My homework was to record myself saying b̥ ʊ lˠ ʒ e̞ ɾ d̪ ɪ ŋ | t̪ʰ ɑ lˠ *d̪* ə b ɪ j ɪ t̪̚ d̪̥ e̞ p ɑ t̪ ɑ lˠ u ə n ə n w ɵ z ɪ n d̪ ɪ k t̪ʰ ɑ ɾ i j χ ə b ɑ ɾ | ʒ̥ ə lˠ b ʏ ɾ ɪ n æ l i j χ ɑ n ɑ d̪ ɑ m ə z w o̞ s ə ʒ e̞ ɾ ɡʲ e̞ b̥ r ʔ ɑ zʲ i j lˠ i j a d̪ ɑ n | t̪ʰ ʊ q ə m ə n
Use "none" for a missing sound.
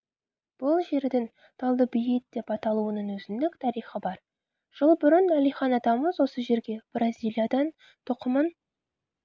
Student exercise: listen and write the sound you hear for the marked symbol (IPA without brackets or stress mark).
d̪